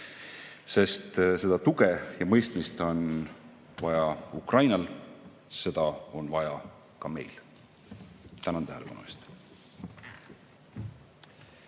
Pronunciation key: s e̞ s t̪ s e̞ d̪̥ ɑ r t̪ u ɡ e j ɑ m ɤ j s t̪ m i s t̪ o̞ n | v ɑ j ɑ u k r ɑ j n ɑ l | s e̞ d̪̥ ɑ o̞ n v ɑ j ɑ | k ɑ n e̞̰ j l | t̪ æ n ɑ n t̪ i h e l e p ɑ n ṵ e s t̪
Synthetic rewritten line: s e̞ s t̪ s e̞ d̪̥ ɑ t̪ u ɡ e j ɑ m ɤ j s t̪ m i s t̪ o̞ n | v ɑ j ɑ u k r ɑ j n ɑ l | s e̞ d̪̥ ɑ o̞ n v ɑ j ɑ | k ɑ m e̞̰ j l | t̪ æ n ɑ n t̪ æ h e l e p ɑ n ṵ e s t̪

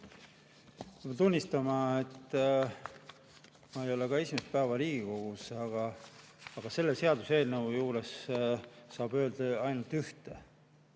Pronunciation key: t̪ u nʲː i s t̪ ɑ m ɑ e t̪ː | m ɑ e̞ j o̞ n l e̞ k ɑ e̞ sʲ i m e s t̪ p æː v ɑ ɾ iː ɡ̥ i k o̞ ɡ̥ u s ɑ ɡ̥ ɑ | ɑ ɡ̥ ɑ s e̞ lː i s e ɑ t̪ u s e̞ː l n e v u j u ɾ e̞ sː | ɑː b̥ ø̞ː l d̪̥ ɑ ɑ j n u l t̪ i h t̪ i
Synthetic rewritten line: t̪ u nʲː i s t̪ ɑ m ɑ e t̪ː | m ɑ e̞ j o̞ l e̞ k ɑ e̞ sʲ i m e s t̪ p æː v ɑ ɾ iː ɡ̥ i k o̞ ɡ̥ u s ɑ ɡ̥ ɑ | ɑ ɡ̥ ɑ s e̞ lː e s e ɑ d̪ u s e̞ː l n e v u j uː ɾ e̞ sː | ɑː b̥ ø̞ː l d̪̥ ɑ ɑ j n u l t̪ y h t̪ e

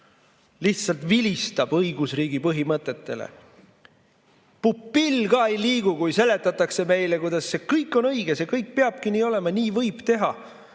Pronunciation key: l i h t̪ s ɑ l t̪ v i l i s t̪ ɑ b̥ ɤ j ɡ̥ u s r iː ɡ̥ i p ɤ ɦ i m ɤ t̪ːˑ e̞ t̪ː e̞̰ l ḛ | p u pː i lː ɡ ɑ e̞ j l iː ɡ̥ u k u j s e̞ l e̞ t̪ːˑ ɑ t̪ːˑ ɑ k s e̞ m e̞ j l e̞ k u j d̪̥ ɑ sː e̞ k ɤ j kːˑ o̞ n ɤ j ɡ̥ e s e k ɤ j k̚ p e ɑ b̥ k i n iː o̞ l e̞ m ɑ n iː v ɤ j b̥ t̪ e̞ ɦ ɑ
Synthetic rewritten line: l i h t̪ s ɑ l t̪ v i l i s t̪ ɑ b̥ ɤ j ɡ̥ u s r iː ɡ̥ i p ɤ ɦ i m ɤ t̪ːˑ e̞ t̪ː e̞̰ l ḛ | p u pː i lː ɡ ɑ e̞ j l iː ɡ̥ u k u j s e̞ l e̞ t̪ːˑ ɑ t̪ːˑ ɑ k s e̞ m e̞ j l e̞ k u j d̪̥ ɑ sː e̞ k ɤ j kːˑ o̞ n ɤ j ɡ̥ e s e k ɤ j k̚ p e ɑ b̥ k i n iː o̞ l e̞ m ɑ n iː v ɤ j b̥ t̪ e̞ ɦ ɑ

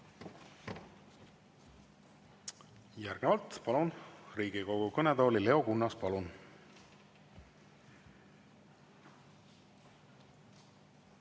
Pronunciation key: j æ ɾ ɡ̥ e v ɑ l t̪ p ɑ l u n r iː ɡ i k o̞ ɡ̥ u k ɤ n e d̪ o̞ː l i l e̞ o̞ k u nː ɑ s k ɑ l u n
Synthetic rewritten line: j æ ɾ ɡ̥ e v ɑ l t̪ p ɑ l u n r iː ɡ i k o̞ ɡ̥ u k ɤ n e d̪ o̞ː l i l e̞ o̞ k u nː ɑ s p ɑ l u n

